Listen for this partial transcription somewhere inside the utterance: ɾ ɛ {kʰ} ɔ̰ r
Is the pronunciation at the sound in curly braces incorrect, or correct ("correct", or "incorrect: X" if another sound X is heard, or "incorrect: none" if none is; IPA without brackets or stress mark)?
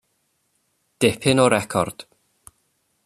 correct